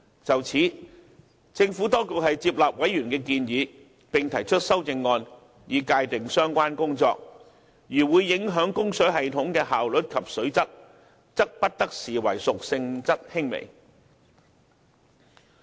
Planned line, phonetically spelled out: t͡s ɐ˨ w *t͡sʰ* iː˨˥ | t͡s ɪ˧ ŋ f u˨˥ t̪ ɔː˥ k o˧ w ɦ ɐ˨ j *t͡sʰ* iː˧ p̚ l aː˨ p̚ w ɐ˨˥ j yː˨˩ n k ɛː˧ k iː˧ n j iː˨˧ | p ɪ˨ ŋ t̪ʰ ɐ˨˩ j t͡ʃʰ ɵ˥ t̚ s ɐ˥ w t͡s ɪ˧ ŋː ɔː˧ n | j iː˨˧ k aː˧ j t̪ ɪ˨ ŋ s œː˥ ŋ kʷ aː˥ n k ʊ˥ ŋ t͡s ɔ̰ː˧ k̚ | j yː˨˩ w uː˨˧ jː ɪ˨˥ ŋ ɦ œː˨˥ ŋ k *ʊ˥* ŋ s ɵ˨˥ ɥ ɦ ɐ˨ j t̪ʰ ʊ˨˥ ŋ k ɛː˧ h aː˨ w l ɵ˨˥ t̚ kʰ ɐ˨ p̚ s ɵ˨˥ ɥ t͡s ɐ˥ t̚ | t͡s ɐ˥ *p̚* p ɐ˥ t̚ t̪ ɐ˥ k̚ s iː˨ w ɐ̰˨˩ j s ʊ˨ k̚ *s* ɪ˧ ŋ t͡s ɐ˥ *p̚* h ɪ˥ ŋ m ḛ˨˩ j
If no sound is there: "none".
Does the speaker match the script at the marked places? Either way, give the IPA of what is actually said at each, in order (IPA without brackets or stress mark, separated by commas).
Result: t͡sʰ, t͡s, ʊ˥, k̚, s, t̚